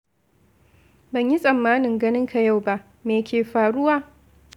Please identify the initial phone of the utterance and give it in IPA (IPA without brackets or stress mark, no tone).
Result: b